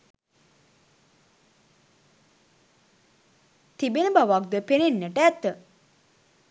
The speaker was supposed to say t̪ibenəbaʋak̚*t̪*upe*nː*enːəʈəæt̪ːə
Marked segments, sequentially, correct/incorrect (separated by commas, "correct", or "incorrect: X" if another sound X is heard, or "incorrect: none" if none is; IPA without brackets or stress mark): incorrect: d̪, incorrect: n